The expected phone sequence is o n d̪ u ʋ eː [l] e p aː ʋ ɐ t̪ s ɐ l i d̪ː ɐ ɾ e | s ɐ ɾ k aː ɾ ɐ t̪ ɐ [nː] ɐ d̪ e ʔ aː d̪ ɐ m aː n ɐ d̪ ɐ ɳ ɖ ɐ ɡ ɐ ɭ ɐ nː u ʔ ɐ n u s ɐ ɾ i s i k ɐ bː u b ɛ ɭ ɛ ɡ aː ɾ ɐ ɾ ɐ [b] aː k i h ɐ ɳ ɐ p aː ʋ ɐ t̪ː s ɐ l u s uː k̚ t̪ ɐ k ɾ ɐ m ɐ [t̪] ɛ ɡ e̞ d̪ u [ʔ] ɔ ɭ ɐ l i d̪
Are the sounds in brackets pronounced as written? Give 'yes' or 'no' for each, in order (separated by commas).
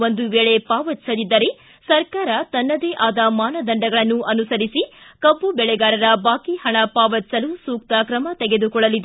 no, yes, yes, yes, no